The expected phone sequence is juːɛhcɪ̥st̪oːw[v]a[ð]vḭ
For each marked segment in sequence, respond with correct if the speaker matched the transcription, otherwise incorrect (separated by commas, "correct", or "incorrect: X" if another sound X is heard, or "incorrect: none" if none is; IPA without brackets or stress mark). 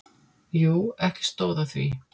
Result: incorrect: ð, incorrect: θ